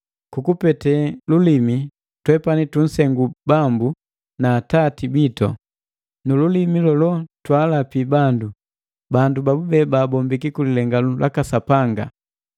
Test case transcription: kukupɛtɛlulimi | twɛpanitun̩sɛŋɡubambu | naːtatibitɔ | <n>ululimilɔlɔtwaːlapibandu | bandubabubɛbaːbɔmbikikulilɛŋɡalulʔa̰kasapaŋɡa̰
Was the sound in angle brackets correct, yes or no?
yes